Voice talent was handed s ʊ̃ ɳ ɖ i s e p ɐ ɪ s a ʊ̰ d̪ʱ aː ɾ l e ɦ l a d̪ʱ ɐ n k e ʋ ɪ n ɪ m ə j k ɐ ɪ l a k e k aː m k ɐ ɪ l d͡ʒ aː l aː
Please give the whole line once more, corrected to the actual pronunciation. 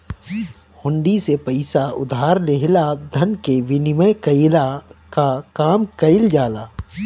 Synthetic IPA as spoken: h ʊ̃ ɳ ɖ i s e p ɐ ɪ s a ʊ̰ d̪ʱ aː ɾ l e ɦ l a d̪ʱ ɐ n k e ʋ ɪ n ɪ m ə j k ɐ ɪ l a k a k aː m k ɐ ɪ l d͡ʒ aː l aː